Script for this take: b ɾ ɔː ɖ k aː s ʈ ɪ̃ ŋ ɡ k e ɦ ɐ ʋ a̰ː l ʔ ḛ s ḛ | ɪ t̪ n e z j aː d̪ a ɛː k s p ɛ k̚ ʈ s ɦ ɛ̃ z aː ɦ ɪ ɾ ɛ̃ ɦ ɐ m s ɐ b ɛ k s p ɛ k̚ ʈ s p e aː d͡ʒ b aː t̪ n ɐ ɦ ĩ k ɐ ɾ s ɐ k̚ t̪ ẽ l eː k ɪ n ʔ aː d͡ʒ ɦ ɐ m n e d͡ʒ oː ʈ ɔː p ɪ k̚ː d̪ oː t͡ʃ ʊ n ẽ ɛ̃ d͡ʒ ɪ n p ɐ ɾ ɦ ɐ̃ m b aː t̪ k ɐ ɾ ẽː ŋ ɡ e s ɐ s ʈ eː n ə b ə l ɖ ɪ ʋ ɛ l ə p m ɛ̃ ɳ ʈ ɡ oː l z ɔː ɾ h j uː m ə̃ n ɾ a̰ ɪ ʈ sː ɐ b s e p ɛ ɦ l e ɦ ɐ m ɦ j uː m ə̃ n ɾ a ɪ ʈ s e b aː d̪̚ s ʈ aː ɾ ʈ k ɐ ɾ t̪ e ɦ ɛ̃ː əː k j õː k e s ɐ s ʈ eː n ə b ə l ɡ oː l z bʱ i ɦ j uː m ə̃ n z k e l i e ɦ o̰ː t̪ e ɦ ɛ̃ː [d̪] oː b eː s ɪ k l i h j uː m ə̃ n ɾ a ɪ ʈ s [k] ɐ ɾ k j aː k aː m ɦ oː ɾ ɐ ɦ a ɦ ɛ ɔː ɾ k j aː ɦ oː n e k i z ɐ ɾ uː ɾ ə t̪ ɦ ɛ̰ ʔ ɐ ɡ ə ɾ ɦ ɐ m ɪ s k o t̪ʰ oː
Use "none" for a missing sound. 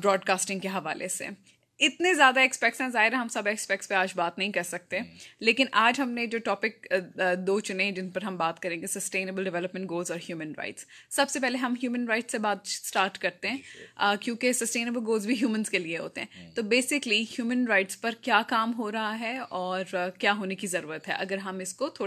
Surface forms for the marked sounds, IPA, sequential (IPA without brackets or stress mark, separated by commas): t̪, p